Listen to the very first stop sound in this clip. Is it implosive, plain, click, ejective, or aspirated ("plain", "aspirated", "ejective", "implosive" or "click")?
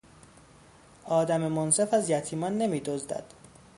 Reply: plain